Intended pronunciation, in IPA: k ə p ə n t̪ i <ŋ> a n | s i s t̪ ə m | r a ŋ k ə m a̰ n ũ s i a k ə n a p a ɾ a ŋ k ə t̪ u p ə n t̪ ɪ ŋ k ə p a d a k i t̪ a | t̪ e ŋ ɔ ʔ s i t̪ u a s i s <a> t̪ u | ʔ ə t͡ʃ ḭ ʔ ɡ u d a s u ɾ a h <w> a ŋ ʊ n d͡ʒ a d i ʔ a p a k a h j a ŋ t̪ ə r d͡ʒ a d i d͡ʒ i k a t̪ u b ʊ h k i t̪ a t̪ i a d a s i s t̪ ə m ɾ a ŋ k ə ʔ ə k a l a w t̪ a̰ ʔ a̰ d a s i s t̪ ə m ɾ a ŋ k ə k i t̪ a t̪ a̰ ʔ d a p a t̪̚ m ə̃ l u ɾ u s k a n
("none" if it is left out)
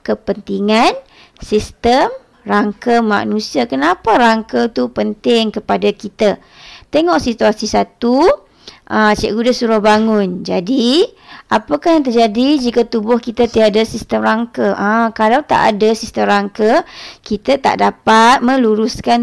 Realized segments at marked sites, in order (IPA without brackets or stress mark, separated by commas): ŋ, a, b